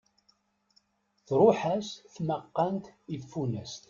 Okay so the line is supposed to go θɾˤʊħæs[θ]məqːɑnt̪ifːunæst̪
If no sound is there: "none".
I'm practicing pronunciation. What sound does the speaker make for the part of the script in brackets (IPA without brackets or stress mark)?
θ